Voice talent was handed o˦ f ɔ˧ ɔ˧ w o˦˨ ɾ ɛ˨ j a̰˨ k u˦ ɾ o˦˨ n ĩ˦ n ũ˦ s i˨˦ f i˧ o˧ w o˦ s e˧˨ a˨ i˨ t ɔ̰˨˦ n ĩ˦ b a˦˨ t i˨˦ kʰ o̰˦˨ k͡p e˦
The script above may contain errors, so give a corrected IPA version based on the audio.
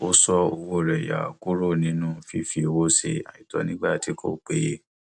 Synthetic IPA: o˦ s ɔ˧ o˧ w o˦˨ ɾ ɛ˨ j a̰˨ k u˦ ɾ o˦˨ n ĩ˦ n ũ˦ f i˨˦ f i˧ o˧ w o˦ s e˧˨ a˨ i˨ t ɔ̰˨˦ n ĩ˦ ɡ͡b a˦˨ t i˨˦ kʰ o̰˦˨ k͡p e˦